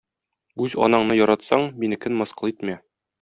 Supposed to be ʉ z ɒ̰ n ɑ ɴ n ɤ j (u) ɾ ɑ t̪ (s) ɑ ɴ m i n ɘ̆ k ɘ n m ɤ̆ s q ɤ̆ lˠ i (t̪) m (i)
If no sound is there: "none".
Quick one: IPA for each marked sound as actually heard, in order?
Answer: ɒ, s, t̪, æ

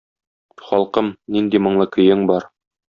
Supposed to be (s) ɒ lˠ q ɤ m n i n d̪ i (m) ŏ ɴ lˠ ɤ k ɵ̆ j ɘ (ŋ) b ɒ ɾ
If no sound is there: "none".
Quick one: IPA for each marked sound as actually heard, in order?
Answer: χ, m, ŋ

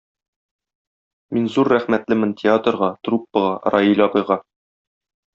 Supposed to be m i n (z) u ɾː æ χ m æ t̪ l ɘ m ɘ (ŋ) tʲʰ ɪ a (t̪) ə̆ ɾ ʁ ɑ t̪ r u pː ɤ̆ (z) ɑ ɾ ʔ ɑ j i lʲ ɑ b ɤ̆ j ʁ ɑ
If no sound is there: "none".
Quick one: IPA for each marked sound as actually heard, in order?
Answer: z, n, t̪, ʁ

